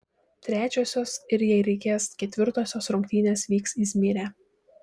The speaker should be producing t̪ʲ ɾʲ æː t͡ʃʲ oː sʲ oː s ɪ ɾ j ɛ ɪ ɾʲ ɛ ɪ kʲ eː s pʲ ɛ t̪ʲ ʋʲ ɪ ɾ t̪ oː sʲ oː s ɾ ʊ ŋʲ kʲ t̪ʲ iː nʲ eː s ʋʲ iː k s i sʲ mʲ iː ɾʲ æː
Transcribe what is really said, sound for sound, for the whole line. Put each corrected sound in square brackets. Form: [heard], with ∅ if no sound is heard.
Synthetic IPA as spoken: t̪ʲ ɾʲ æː t͡ʃʲ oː sʲ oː s ɪ ɾ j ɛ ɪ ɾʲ ɛ ɪ kʲ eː s [kʲ] ɛ t̪ʲ ʋʲ ɪ ɾ t̪ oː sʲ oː s ɾ ʊ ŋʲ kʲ t̪ʲ iː nʲ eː s ʋʲ iː k s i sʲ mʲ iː ɾʲ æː